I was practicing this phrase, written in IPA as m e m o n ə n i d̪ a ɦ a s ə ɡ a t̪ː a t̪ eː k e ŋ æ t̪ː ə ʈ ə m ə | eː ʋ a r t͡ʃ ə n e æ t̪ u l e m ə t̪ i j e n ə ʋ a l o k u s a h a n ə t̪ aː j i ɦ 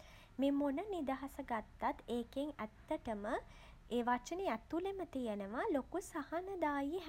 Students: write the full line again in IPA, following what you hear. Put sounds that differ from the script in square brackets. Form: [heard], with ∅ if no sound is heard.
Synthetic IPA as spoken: m e m o n ə n i d̪ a ɦ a s ə ɡ a t̪ː a t̪ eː k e ŋ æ t̪ː ə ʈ ə m ə | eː ʋ a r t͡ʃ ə n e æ t̪ u l e m ə t̪ i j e n ə ʋ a l o k u s a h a n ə [d̪] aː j i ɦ